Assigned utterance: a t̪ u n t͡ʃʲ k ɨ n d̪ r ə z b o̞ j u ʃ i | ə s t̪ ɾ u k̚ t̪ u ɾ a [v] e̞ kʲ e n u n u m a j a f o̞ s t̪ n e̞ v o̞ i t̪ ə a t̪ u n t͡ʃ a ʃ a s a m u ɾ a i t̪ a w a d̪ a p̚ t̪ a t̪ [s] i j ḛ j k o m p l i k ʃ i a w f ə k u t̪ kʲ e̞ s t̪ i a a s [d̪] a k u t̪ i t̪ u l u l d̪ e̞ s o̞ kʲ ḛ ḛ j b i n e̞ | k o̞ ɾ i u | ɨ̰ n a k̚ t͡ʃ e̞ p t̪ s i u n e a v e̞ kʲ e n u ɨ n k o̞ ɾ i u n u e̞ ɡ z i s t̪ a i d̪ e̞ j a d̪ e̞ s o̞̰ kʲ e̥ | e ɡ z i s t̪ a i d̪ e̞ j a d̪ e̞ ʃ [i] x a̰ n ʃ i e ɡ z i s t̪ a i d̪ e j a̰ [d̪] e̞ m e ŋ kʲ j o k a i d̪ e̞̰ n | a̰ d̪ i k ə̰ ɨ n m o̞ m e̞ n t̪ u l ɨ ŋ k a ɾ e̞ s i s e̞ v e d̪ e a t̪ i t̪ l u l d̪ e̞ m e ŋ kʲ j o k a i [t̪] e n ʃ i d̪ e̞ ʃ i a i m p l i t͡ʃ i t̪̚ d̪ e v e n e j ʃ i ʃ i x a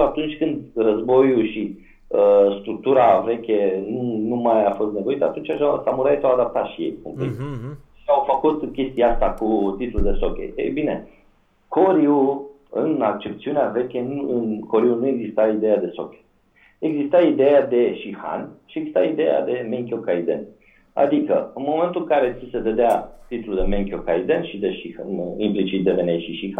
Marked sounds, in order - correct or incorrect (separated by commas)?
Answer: correct, incorrect, incorrect, correct, correct, incorrect